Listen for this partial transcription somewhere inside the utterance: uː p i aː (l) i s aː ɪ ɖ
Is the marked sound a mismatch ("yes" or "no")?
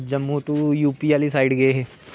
no